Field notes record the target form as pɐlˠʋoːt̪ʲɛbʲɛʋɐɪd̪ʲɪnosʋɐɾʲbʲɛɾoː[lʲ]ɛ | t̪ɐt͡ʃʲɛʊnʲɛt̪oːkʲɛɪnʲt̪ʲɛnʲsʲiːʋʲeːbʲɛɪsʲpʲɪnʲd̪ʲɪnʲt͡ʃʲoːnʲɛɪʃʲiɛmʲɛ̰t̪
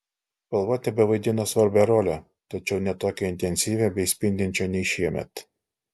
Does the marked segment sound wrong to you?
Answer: no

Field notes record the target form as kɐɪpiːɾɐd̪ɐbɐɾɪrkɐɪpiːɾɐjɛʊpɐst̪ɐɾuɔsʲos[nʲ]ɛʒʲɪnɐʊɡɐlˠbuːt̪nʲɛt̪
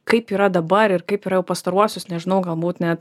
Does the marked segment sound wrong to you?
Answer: no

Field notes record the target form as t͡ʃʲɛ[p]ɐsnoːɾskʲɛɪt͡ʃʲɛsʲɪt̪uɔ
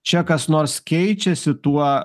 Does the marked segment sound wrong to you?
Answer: yes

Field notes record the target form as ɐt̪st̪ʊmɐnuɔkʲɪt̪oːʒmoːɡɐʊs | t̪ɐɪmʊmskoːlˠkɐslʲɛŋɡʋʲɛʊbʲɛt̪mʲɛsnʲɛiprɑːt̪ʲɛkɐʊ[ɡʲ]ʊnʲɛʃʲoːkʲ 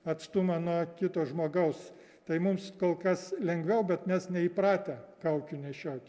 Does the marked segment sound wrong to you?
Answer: yes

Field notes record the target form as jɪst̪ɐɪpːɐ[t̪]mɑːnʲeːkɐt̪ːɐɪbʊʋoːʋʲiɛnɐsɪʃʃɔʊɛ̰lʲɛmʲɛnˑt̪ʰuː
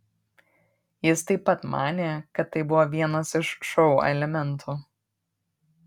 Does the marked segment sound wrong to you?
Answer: no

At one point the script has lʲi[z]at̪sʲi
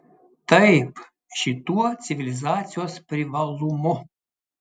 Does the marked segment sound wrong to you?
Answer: no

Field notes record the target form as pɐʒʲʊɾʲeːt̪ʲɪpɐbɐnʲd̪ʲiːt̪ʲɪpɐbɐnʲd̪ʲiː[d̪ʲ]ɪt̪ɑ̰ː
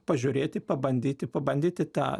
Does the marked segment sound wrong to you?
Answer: yes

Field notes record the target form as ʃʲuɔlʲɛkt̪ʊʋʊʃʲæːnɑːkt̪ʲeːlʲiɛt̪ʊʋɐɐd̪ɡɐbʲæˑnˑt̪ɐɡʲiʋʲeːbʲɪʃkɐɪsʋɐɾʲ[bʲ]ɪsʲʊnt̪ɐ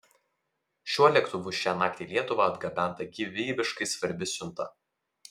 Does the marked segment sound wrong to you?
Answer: no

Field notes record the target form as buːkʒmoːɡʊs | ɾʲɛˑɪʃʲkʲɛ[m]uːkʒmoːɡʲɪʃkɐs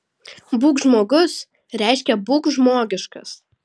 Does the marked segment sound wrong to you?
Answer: yes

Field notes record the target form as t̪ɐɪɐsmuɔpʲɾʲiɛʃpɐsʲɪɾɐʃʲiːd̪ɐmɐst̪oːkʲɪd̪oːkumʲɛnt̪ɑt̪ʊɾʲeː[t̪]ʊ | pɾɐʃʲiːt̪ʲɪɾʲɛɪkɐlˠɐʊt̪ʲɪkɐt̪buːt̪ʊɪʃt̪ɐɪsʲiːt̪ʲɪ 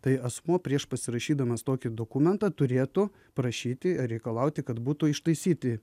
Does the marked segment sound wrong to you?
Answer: no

